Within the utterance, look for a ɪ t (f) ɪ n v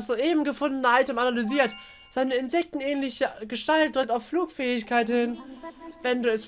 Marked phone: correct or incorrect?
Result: incorrect